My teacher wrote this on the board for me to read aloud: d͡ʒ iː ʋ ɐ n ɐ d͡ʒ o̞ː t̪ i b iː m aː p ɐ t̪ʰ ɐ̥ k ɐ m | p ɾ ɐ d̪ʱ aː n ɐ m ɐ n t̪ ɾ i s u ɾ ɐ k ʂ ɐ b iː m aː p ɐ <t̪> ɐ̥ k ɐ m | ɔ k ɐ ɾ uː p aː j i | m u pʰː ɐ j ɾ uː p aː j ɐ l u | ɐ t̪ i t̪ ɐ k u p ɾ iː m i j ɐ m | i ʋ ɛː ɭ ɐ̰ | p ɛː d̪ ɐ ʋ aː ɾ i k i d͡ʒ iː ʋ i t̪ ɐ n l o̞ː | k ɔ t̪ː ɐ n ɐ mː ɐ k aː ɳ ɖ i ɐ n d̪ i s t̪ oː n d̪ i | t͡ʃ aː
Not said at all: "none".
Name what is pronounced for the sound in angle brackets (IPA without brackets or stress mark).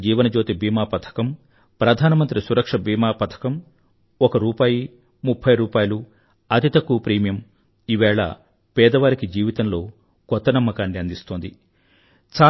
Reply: t̪ʰ